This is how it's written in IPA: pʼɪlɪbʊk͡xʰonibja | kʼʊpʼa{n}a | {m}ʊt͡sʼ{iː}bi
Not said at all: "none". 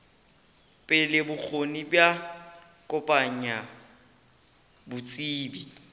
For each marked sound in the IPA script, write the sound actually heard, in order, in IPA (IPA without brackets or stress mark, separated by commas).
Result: ɲ, b, iː